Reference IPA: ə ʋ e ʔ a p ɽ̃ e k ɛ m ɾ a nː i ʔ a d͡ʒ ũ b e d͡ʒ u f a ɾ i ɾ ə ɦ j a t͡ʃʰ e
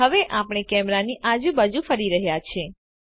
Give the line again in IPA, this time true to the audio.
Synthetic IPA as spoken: ə ʋ e ʔ a p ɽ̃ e k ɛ m ɾ a n i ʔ a d͡ʒ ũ b a d͡ʒ u f ə ɾ i ɾ ə ɦ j a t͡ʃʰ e